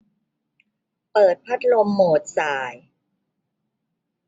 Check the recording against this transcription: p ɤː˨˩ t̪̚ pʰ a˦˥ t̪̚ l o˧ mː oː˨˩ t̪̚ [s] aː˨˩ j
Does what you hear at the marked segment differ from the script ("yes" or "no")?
no